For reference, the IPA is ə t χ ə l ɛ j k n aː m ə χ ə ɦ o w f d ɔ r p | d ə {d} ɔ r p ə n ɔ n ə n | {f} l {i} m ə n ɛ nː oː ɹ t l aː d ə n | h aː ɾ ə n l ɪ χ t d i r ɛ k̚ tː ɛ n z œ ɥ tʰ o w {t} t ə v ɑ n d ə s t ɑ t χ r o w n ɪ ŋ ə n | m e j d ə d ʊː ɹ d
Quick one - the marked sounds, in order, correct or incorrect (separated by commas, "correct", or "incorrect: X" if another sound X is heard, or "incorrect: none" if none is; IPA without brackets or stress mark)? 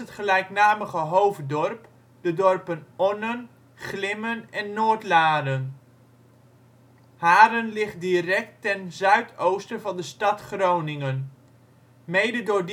correct, incorrect: χ, incorrect: ɪ, incorrect: s